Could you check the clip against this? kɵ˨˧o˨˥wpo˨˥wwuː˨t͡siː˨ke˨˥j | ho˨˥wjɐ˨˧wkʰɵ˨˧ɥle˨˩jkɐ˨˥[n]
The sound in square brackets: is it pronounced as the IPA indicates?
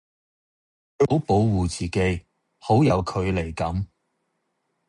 no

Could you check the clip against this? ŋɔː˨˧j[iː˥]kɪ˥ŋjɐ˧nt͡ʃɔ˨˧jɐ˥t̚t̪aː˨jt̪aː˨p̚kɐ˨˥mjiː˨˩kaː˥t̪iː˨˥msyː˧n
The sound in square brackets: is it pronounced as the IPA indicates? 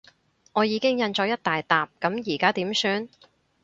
no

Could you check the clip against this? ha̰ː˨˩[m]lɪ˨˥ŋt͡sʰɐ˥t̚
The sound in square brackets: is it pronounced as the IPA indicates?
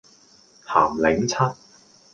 yes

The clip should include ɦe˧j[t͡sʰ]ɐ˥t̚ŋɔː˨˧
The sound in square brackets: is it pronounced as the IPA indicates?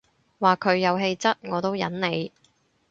no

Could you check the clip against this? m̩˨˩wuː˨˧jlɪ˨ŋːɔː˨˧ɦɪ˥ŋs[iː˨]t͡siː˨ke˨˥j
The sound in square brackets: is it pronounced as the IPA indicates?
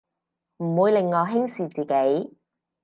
yes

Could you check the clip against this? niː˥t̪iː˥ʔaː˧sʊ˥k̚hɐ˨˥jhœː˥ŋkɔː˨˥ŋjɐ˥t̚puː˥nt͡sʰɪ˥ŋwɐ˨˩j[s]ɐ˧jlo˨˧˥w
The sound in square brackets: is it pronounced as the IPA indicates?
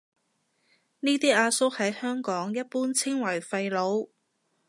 no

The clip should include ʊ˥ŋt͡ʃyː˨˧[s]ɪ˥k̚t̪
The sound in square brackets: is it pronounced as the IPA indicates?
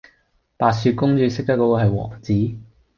yes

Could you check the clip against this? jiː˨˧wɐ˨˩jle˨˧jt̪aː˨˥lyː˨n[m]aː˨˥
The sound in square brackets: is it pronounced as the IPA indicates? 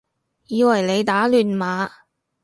yes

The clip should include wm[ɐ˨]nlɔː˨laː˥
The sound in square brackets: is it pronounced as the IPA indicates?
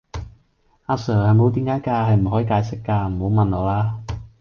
yes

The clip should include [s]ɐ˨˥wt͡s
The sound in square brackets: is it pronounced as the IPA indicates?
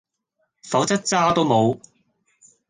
no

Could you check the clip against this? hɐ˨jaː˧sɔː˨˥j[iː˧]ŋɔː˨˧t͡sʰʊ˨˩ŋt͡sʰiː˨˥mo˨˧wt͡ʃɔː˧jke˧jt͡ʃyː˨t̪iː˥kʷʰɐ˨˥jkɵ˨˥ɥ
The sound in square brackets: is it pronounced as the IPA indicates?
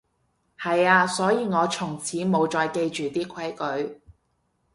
yes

